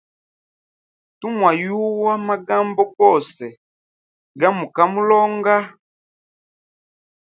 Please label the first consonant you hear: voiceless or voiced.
voiceless